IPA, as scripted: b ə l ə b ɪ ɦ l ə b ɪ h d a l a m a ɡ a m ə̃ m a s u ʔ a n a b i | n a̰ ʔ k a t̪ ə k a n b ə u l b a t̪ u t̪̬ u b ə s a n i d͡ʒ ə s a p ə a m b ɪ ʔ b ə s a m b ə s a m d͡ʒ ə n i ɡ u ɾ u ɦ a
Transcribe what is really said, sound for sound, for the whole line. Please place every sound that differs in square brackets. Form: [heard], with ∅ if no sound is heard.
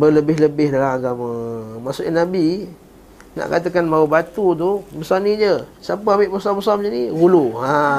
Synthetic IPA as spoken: b ə l ə b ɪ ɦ l ə b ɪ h d a l a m a ɡ a m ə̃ m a s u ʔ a n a b i | n a̰ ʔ k a t̪ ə k a n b [a] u [∅] b a t̪ u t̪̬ u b ə s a n i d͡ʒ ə s a p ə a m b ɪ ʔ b ə s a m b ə s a m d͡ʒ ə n i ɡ u [l] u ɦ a